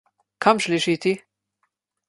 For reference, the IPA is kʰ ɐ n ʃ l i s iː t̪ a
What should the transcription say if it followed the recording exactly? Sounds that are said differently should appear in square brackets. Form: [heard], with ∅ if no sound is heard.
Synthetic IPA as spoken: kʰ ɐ [m] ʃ l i [ʃ] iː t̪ [i]